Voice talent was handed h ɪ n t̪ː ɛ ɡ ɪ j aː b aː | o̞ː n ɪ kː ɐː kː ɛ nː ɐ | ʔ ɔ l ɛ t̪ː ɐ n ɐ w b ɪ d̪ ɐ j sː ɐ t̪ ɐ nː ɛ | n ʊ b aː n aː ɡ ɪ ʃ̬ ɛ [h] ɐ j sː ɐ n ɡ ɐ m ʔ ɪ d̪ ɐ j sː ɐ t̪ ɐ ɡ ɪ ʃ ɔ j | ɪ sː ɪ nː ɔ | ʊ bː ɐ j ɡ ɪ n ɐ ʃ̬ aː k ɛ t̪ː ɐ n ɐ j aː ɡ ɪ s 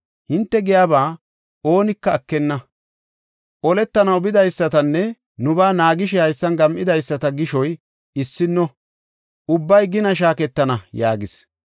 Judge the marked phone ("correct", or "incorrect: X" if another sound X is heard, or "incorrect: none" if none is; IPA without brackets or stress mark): correct